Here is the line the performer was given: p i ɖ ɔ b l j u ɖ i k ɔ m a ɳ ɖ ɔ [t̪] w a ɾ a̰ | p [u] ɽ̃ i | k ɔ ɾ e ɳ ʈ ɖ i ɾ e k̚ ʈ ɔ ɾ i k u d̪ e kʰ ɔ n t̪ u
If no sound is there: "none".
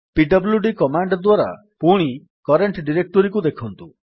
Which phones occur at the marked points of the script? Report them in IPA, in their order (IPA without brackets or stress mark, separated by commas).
d̪, u